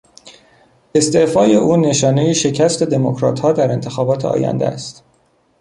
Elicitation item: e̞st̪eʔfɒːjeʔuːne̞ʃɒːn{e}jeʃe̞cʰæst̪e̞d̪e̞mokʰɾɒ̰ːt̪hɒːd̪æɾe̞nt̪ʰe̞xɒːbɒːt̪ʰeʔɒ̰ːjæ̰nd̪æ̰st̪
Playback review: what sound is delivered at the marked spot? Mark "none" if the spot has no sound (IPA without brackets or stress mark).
e